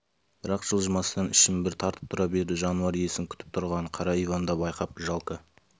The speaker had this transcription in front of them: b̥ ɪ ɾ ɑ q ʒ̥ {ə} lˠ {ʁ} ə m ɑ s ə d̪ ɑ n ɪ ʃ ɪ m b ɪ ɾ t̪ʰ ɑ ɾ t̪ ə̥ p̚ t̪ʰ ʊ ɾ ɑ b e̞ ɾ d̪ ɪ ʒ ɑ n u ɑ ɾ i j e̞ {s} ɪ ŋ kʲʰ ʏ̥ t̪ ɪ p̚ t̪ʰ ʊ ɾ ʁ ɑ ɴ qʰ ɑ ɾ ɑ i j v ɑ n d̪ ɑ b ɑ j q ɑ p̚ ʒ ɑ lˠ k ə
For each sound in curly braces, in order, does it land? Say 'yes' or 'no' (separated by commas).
yes, no, yes